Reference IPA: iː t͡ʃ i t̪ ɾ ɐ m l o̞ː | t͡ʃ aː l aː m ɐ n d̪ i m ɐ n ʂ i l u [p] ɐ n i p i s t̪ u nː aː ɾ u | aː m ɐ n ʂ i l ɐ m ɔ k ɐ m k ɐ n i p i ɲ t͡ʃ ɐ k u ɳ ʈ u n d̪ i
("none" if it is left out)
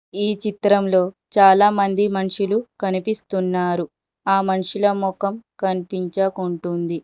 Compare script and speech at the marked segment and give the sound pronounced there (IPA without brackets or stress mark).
k